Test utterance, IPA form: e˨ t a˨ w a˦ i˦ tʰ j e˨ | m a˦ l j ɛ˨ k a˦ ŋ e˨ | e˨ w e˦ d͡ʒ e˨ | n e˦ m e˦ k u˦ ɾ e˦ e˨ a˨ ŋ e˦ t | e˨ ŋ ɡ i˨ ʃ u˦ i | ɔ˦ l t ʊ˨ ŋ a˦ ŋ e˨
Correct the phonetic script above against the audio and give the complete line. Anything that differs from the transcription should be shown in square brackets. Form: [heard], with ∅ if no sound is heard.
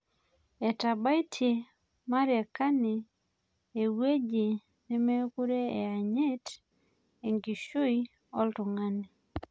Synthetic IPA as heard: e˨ t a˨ [b] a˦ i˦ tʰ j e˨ | m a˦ [ɾ] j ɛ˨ k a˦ [n] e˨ | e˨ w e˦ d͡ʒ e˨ | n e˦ m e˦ k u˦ ɾ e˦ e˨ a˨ [ɲ] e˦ t | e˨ ŋ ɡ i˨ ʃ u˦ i | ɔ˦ l t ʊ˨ ŋ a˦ [n] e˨